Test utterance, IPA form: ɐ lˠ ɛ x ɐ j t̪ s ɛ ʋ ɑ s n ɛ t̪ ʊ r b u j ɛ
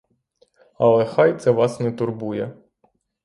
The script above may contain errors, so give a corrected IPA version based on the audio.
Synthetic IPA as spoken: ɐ lˠ ɛ x ɑ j t̪ s ɛ ʋ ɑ s n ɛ t̪ ʊ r b u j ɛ